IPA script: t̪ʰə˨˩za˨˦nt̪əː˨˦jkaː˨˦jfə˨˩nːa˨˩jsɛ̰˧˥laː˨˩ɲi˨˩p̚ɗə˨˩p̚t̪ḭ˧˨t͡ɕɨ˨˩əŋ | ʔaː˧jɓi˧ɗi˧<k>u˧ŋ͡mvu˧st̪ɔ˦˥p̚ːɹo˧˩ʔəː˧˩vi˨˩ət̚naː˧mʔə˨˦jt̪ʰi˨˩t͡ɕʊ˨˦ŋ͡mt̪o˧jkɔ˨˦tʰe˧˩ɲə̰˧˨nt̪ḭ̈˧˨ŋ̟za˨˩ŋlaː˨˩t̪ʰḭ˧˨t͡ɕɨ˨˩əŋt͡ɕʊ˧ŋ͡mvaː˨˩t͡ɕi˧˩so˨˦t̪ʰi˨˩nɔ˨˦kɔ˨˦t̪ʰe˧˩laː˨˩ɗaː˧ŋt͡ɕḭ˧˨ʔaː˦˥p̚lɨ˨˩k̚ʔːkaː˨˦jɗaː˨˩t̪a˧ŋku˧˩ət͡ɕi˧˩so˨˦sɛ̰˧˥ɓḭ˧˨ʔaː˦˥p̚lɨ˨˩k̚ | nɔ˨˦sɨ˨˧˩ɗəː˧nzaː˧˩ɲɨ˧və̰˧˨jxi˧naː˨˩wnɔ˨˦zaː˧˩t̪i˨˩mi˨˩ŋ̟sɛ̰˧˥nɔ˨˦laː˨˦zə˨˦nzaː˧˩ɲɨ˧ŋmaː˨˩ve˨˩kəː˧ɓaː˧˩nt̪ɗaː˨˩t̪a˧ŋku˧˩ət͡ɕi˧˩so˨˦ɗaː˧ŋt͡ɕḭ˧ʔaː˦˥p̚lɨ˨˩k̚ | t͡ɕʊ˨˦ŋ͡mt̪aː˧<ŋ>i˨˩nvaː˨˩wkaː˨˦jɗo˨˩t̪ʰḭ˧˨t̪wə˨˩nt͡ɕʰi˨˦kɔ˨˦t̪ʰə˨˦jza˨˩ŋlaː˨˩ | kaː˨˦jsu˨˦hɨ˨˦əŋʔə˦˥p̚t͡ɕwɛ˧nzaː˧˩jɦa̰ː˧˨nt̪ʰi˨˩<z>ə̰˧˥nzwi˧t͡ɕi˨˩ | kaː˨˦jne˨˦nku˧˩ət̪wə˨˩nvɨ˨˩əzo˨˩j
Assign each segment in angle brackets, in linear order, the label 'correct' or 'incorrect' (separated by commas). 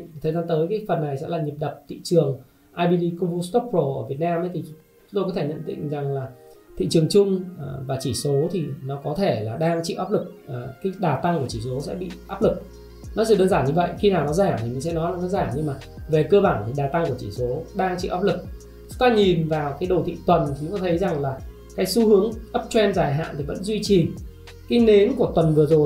correct, incorrect, incorrect